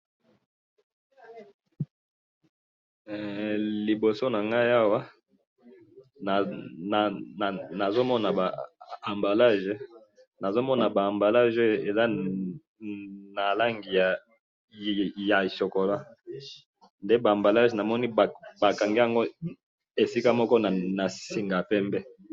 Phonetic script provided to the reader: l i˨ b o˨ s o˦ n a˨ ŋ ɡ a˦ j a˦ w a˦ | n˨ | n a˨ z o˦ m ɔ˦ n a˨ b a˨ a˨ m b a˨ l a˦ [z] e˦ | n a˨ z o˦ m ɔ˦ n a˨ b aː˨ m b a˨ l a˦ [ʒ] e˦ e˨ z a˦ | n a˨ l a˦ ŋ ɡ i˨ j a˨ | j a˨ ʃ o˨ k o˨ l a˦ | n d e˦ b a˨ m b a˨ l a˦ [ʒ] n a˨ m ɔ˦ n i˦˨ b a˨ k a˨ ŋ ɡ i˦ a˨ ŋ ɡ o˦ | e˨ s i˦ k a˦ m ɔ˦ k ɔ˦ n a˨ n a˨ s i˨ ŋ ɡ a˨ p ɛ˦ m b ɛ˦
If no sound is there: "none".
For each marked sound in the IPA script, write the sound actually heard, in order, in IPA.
ʒ, ʒ, ʒ

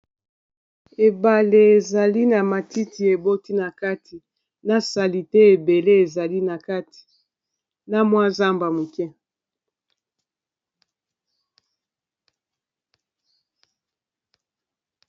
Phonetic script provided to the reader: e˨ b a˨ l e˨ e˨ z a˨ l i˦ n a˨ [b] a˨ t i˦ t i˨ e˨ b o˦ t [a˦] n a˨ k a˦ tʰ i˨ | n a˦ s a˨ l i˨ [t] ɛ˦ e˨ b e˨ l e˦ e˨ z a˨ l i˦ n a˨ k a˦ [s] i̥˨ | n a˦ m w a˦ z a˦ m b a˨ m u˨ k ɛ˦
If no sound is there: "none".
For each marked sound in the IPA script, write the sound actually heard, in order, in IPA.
m, i˦, t, t

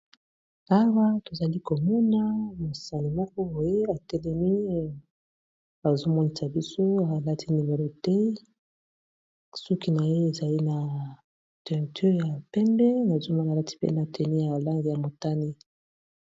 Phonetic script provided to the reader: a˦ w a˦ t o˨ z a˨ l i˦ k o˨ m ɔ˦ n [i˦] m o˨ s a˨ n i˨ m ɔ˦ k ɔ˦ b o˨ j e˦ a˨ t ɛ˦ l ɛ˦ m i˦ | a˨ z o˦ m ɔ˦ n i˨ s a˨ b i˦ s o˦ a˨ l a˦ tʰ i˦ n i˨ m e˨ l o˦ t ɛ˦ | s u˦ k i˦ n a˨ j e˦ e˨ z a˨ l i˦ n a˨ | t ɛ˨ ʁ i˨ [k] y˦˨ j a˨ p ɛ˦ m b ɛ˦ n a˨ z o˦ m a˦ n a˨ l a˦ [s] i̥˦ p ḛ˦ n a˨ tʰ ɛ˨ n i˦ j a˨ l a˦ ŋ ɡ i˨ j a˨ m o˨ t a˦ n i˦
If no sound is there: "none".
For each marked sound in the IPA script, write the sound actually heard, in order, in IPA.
a˦, t, t

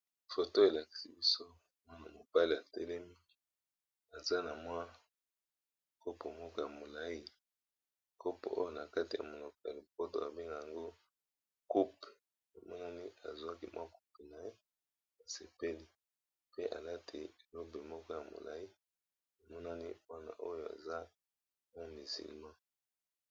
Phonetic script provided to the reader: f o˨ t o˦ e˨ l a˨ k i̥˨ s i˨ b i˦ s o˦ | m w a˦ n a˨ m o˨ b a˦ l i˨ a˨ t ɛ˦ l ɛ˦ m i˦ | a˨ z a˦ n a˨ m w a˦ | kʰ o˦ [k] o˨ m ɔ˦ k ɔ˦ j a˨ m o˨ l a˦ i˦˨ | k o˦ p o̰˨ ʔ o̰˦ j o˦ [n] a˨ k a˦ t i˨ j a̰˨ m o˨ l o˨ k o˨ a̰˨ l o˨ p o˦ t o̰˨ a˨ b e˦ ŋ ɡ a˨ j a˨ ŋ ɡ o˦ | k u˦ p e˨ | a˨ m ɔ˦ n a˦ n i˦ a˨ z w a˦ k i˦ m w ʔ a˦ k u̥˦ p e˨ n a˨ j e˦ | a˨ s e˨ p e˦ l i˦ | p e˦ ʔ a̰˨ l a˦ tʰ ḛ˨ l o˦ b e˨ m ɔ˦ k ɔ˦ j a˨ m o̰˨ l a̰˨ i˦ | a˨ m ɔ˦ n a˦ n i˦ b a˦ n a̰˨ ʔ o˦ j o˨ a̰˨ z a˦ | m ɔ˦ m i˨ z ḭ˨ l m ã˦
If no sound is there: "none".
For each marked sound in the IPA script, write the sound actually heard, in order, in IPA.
p, n

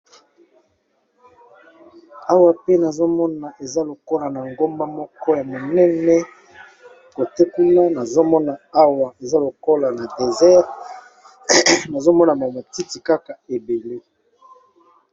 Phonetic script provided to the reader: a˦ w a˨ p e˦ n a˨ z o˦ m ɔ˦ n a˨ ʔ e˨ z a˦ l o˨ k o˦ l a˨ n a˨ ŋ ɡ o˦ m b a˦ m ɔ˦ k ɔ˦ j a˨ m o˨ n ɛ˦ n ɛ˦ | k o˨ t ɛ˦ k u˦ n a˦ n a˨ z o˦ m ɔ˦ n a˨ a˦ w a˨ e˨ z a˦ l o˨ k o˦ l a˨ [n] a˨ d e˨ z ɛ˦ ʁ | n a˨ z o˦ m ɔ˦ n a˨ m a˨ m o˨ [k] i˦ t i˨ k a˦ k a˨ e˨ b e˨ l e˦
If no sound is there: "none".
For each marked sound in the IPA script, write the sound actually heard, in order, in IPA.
n, t

